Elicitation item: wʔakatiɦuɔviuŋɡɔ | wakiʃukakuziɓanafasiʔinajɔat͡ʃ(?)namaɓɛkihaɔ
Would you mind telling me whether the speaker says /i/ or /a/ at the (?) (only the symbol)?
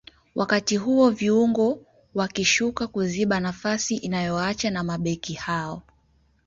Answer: a